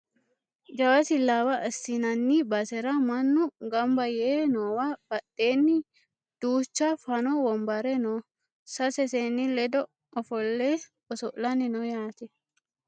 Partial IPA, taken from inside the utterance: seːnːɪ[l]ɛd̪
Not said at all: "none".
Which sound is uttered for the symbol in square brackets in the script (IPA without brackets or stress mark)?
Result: l